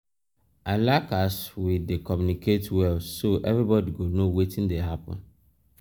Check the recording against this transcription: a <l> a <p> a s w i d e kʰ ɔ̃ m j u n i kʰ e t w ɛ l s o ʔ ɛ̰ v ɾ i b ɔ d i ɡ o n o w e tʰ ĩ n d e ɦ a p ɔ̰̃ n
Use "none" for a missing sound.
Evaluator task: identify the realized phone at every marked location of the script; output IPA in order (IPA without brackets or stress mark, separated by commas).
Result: l, k